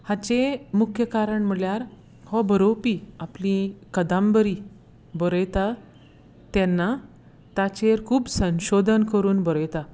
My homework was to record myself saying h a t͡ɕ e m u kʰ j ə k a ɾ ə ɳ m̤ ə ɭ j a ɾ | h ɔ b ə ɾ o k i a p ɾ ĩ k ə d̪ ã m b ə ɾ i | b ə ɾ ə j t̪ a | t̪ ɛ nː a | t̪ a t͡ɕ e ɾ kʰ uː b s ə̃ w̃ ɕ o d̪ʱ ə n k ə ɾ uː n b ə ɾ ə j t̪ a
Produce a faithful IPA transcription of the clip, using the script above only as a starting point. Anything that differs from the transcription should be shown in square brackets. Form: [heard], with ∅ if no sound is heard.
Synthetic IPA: h a t͡ɕ e m u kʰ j ə k a ɾ ə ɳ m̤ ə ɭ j a ɾ | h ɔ b ə ɾ o [p] i a p [l] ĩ k ə d̪ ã m b ə ɾ i | b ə ɾ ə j t̪ a | t̪ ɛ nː a | t̪ a t͡ɕ e ɾ kʰ uː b s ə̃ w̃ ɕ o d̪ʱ ə n k ə ɾ uː n b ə ɾ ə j t̪ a